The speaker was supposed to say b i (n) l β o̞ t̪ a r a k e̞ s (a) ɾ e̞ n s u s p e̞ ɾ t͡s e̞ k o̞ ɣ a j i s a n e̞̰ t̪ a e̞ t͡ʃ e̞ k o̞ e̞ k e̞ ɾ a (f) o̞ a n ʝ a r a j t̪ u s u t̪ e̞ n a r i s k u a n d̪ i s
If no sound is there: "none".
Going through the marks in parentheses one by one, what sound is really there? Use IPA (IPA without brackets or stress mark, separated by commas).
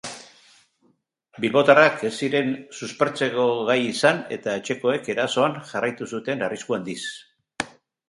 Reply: none, i, s